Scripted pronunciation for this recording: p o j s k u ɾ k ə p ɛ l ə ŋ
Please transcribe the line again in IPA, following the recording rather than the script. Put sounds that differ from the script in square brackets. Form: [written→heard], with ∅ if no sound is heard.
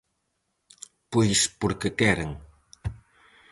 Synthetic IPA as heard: p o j s [k→p] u ɾ k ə [p→k] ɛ [l→ɾ] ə ŋ